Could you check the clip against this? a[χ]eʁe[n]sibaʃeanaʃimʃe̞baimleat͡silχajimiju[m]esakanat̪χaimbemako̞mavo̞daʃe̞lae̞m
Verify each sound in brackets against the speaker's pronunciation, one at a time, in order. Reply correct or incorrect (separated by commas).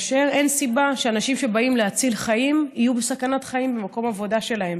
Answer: incorrect, correct, incorrect